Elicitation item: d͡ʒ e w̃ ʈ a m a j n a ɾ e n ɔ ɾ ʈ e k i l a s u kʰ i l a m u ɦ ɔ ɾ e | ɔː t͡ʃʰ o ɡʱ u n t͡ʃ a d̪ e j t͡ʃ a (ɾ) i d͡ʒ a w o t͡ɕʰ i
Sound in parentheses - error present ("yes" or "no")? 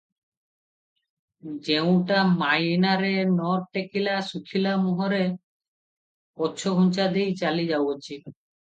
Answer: yes